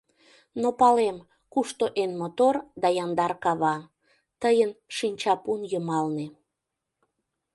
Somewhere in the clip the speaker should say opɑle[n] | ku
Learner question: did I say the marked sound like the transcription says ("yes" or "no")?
no